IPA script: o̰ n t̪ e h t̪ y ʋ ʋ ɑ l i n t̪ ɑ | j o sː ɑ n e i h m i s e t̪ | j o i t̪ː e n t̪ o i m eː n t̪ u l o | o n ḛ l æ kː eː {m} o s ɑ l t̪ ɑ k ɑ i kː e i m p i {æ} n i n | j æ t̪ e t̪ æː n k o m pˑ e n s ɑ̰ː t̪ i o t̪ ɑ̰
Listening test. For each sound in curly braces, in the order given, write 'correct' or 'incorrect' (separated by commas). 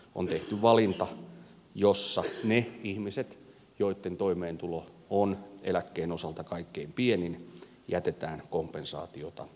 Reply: incorrect, incorrect